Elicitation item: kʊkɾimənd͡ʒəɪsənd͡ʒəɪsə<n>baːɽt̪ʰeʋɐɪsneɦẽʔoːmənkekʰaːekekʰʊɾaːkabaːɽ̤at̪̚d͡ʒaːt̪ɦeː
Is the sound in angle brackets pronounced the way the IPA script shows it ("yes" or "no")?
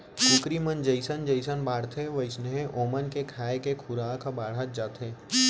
yes